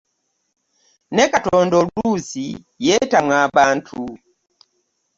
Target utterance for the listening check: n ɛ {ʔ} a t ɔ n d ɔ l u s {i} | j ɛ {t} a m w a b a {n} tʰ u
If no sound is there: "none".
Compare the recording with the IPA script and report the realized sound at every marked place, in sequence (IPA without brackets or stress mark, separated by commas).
k, i, t, n